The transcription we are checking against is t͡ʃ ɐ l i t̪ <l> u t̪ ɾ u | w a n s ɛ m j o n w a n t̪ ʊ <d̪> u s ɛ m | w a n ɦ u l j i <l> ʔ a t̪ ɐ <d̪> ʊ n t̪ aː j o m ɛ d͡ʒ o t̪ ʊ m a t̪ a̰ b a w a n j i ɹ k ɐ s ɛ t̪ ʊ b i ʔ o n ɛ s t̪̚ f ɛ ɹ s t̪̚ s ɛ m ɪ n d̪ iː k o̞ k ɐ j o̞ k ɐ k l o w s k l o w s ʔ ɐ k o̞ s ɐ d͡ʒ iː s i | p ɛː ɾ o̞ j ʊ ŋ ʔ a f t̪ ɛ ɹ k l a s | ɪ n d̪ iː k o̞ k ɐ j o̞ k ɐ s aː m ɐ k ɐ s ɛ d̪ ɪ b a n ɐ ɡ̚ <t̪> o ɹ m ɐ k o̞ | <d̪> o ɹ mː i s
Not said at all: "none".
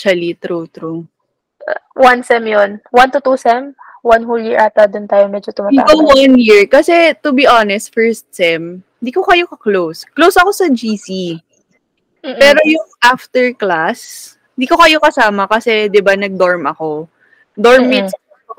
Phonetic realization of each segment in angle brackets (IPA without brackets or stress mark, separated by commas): ɾ, t̪, ɹ, d̪, d̪, d̪